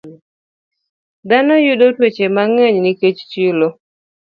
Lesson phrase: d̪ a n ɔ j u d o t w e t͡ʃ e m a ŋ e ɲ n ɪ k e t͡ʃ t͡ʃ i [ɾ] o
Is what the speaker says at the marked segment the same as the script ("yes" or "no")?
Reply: no